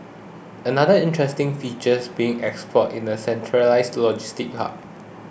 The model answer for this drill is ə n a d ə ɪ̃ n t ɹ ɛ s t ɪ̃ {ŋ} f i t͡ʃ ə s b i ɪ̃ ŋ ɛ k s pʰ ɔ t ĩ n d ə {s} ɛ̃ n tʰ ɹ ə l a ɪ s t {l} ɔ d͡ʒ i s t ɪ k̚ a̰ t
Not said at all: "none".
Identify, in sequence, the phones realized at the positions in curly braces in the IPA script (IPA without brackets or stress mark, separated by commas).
ŋ, s, l